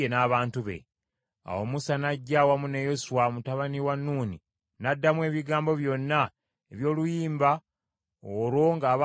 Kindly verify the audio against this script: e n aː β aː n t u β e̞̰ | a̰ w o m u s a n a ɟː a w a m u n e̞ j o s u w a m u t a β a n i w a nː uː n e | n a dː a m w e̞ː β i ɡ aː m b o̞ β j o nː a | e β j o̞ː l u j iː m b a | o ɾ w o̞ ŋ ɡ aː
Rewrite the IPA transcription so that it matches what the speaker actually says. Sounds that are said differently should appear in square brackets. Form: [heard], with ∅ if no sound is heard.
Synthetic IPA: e n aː β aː n t u β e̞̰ | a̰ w o m u s a n a ɟː a w a m u n e̞ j o s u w a m u t a β a n i w a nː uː n [i] | n a dː a m w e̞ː β i ɡ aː m b o̞ β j o nː a | e β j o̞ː l u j iː m b a | o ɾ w o̞ ŋ ɡ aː